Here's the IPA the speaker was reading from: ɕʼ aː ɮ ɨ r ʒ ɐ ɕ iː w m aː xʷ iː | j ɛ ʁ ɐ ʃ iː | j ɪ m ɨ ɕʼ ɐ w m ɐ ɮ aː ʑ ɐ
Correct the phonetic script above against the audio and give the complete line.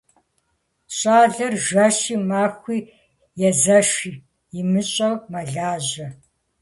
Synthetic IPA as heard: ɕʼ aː ɮ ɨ r ʒ ɐ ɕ iː m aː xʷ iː | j ɛ z ɐ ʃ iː | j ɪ m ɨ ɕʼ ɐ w m ɐ ɮ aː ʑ ɐ